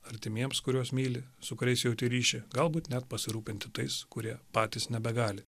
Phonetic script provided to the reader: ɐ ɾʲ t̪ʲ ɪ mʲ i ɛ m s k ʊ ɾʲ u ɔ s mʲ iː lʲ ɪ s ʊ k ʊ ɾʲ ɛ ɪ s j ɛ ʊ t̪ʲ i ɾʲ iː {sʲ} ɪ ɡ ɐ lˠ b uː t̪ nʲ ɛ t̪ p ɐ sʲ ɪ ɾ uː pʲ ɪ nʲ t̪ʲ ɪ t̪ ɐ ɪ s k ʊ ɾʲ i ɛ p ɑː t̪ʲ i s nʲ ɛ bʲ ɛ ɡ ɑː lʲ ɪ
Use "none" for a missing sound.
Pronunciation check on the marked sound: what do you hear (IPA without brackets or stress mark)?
ʃʲ